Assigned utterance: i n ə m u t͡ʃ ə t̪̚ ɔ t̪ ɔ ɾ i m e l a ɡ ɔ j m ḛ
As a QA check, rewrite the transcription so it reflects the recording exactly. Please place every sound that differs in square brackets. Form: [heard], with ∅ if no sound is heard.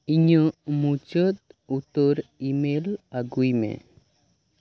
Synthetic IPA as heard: i [ɲ] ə m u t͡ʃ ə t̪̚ [u] t̪ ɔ ɾ i m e l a ɡ [u] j m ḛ

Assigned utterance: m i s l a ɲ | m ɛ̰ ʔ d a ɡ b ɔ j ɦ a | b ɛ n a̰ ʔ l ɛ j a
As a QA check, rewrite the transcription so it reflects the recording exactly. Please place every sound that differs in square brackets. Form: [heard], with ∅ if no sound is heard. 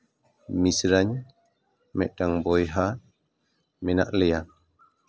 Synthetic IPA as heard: m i s [ɾ] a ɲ | m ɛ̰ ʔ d a [ŋ] b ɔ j ɦ a | [m] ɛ n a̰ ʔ l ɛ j a

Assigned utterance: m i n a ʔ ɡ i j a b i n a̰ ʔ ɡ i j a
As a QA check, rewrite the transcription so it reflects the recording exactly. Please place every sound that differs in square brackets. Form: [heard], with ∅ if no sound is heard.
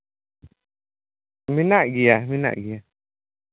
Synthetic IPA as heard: m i n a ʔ ɡ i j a [m] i n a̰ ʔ ɡ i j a

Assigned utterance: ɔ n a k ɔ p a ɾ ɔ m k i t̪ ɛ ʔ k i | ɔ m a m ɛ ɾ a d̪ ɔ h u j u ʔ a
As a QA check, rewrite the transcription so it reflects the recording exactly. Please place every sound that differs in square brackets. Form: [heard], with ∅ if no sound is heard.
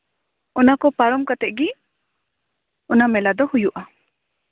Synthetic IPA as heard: ɔ n a k ɔ p a ɾ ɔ m k [a] t̪ ɛ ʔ [ɡ] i | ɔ [n] a m ɛ [l] a d̪ ɔ h u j u ʔ a

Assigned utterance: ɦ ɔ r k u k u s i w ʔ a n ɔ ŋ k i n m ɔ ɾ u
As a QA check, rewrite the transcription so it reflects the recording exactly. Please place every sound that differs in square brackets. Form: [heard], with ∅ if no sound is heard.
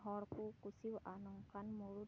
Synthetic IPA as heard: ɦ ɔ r k u k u s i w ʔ a n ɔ ŋ k [a] n m [u] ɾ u

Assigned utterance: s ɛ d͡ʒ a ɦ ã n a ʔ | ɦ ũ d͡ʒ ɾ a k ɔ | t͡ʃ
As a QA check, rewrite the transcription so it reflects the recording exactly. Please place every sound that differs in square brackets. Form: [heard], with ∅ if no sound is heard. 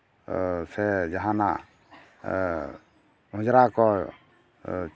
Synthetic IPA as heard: s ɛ d͡ʒ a ɦ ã n a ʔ | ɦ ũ d͡ʒ ɾ a k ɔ | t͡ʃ

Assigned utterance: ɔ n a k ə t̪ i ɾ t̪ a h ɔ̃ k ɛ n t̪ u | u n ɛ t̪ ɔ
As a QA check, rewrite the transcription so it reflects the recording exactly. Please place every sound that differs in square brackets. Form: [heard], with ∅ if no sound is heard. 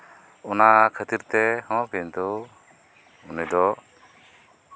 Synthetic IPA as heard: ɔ n a [kʰ] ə t̪ i ɾ t̪ [ɛ] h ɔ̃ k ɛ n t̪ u | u n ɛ [d̪] ɔ

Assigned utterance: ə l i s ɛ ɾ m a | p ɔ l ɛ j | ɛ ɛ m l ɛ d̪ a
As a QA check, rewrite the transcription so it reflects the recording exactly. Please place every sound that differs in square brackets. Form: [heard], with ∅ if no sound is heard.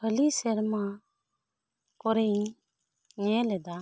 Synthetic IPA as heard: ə l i s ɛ ɾ m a | [k] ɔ [ɾ] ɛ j | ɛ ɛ [∅] l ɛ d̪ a

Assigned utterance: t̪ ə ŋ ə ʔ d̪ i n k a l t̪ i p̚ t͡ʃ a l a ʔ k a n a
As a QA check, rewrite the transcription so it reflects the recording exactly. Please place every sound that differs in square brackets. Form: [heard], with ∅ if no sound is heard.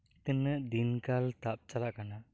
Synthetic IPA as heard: t̪ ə [n] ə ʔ d̪ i n k a l t̪ [a] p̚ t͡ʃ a l a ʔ k a n a

